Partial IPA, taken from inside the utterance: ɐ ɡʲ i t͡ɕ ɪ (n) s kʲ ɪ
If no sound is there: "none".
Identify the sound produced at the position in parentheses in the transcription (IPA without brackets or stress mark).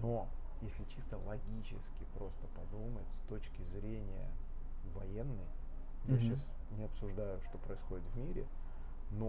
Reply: none